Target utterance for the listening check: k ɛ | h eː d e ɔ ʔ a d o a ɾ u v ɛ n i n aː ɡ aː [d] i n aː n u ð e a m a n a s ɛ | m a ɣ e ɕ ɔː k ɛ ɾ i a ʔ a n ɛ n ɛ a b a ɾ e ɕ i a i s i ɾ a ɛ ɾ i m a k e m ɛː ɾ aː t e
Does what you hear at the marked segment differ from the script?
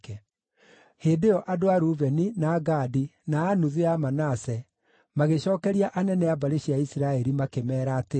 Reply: no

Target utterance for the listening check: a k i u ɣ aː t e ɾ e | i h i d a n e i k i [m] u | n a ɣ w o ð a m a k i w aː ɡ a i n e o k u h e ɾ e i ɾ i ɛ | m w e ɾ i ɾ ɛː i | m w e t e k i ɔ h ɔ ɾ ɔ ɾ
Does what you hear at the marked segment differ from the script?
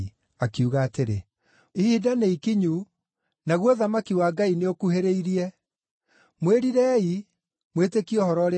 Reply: yes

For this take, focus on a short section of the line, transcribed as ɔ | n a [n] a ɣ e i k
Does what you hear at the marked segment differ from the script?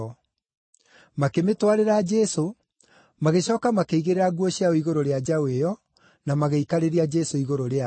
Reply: yes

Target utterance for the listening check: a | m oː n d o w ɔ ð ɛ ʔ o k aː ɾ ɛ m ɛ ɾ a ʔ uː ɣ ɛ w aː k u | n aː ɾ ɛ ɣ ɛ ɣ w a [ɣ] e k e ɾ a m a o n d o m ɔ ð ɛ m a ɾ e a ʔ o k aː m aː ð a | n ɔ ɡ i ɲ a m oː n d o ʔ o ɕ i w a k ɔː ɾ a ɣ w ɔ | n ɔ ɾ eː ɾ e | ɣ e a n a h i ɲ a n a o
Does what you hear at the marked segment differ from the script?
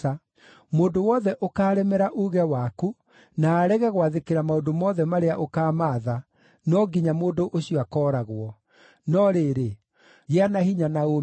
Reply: yes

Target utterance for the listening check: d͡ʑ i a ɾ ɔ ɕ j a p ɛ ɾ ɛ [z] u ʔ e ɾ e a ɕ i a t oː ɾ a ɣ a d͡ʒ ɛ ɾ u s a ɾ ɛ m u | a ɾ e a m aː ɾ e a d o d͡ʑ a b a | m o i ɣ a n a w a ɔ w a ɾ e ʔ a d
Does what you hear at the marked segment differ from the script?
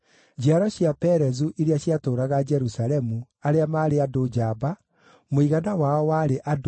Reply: no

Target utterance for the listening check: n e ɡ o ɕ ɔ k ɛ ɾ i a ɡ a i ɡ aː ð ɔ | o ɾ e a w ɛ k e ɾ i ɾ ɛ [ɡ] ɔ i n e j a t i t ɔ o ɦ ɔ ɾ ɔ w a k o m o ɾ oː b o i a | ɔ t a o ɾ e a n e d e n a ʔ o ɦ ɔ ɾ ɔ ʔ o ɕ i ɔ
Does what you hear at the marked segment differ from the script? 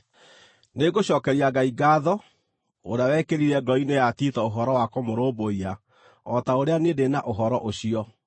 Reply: no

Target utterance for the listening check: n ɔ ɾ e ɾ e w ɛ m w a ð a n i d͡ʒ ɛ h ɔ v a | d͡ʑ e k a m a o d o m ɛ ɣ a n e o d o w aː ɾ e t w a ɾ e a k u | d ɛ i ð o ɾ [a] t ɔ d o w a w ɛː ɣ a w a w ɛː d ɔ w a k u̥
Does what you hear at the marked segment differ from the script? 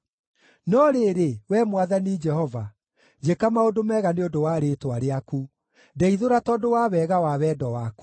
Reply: no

